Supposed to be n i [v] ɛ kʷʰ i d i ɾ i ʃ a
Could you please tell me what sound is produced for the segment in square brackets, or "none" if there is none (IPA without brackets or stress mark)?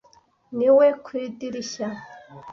w